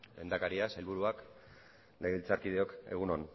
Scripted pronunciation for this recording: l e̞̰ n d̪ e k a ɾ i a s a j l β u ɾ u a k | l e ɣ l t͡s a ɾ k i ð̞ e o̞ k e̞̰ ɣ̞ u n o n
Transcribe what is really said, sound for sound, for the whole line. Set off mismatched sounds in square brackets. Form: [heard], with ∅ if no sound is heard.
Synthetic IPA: l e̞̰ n d̪ [a] k a ɾ i a s a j l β u ɾ u a k | l e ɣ l t͡s a ɾ k i ð̞ e o̞ k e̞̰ ɣ̞ u n o n